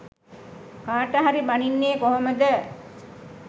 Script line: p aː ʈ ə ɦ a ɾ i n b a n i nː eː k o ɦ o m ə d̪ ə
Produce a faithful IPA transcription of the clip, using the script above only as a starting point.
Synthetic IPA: k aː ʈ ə ɦ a ɾ i b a n i nː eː k o ɦ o m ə d̪ ə